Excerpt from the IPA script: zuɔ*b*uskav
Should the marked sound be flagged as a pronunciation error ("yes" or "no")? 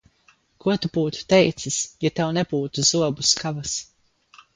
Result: no